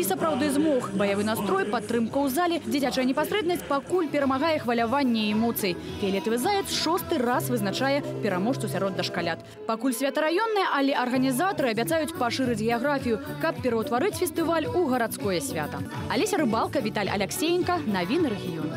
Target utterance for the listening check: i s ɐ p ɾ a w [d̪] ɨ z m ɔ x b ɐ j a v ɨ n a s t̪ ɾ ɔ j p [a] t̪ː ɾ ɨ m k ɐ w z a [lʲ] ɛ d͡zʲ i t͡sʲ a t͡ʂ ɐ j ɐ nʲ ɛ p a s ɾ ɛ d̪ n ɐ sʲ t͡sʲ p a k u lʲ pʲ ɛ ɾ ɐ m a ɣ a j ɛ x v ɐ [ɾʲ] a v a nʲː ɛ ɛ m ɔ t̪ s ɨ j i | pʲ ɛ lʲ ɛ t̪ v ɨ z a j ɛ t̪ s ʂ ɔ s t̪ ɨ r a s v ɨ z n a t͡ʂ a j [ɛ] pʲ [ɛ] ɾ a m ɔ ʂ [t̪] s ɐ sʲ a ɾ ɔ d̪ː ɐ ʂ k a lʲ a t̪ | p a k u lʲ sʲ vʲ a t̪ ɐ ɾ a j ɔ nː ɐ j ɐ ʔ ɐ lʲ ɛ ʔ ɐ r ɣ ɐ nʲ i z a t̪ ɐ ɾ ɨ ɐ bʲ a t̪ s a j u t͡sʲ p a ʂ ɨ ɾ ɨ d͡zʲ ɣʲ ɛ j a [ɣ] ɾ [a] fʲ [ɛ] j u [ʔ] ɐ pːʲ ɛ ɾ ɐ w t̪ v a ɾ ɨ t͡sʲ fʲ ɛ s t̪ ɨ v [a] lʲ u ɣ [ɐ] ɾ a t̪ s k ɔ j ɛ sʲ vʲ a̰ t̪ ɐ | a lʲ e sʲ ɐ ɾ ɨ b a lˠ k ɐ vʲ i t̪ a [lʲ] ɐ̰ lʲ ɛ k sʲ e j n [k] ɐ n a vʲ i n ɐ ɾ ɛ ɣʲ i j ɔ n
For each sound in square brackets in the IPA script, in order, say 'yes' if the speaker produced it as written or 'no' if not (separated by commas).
yes, yes, yes, no, yes, yes, yes, yes, yes, no, no, yes, yes, yes, yes